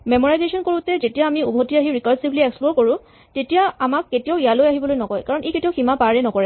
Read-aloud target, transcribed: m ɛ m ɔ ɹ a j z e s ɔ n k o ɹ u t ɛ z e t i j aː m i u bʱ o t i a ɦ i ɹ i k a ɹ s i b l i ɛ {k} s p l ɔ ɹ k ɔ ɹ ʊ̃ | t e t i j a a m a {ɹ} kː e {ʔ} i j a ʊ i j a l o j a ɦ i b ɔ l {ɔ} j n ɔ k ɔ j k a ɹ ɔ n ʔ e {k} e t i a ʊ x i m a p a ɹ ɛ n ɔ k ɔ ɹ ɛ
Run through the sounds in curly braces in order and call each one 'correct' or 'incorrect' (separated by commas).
correct, incorrect, incorrect, incorrect, correct